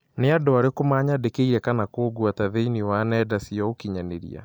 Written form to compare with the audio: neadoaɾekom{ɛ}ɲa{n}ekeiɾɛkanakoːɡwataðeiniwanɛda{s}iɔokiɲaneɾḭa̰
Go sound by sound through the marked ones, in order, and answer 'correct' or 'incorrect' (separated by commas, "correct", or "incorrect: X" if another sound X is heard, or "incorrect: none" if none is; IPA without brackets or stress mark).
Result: incorrect: a, incorrect: d, correct